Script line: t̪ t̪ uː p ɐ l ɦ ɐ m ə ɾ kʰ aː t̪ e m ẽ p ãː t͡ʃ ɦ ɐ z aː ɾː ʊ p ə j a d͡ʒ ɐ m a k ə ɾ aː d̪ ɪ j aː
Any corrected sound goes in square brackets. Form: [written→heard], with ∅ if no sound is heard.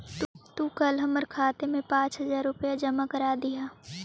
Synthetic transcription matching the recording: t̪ t̪ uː [p→k] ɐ l ɦ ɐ m ə ɾ kʰ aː t̪ e m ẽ p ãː t͡ʃ ɦ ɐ z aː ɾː ʊ p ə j a d͡ʒ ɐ m a k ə ɾ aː d̪ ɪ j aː